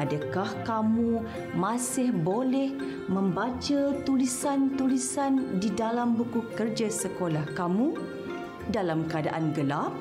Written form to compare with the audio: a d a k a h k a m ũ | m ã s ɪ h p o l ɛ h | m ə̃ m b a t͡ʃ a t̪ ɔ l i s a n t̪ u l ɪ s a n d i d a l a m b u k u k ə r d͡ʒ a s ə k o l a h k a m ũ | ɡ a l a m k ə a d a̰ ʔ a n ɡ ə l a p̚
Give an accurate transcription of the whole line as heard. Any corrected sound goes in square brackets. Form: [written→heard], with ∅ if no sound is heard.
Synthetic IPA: a d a k a h k a m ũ | m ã s ɪ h [p→b] o l ɛ h | m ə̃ m b a t͡ʃ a t̪ [ɔ→u] l i s a n t̪ u l [ɪ→i] s a n d i d a l a m b u k u k ə r d͡ʒ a s ə k o l a h k a m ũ | [ɡ→d] a l a m k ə a d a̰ ʔ a n ɡ ə l a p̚